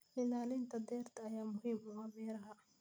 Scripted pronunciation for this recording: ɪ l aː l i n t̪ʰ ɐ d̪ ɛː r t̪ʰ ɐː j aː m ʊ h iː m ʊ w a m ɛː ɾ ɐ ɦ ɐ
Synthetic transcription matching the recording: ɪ l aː l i n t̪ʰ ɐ d̪ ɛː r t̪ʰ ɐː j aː m ʊ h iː m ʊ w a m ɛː ɾ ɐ ɦ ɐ